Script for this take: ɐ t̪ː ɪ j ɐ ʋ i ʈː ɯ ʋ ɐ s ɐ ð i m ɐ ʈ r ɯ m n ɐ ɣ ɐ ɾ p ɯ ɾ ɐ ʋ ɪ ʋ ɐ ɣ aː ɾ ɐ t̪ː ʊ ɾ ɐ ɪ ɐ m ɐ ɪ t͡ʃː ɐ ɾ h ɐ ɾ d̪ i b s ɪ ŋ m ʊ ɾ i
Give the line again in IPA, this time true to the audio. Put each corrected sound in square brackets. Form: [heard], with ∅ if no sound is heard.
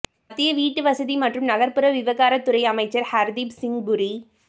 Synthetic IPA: ɐ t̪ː ɪ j ɐ ʋ [iː] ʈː ɯ ʋ ɐ s ɐ ð i m ɐ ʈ r ɯ m n ɐ ɣ ɐ ɾ p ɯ ɾ ɐ ʋ ɪ ʋ ɐ ɣ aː ɾ ɐ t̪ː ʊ ɾ ɐ ɪ ɐ m ɐ ɪ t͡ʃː ɐ ɾ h ɐ ɾ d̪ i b s ɪ ŋ [b] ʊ ɾ i